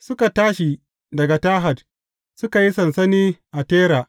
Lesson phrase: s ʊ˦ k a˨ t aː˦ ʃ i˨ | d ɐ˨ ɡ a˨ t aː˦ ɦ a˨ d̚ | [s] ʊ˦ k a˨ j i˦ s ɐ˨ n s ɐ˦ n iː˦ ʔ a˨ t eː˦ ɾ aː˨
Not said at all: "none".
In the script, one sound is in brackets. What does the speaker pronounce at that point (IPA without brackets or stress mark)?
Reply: s